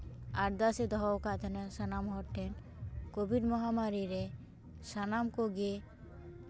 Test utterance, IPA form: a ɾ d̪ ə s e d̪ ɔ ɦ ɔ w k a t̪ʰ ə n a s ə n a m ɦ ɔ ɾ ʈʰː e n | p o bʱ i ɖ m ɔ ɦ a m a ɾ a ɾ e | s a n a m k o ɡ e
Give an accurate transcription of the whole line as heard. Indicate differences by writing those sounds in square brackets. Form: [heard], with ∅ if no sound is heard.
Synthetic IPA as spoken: a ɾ d̪ [a] s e d̪ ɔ ɦ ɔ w k a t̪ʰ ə n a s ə n a m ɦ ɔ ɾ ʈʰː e n | [k] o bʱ i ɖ m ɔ ɦ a m a ɾ [i] ɾ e | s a n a m k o ɡ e